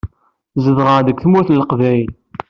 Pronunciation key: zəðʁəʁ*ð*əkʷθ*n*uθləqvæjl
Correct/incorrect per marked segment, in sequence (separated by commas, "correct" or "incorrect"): correct, incorrect